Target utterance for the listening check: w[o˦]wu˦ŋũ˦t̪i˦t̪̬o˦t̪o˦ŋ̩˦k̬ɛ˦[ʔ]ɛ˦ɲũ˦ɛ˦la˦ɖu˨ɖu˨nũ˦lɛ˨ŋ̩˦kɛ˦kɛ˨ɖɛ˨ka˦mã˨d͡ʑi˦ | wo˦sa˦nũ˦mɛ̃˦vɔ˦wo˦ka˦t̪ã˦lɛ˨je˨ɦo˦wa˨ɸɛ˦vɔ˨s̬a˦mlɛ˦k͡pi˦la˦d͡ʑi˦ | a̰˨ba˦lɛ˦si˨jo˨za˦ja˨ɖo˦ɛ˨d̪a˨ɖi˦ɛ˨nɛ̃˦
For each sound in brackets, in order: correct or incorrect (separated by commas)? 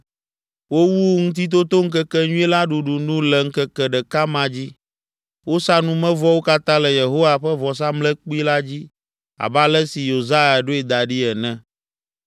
correct, incorrect